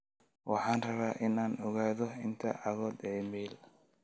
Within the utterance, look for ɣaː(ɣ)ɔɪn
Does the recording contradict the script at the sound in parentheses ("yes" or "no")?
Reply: yes